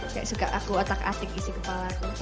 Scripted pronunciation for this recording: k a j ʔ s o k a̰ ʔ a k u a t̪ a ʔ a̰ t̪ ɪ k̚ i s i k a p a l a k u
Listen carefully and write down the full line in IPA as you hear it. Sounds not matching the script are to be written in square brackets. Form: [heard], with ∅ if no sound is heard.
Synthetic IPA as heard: k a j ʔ s [u] k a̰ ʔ a k u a t̪ a [k] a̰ t̪ ɪ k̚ i s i k [ə] p a l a k u